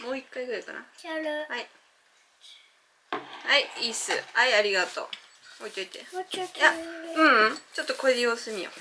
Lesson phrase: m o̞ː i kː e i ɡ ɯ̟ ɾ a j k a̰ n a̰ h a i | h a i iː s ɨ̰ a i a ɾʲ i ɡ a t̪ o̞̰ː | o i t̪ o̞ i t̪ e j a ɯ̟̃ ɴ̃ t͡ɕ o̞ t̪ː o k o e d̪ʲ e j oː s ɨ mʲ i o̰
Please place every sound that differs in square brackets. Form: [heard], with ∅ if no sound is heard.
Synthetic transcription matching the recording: m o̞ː i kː [a] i ɡ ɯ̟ ɾ a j k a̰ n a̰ h a i | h a i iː s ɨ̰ a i a ɾʲ i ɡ a t̪ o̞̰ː | o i t̪ o̞ i t̪ e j a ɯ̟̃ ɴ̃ t͡ɕ o̞ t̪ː o k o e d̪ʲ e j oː s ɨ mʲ i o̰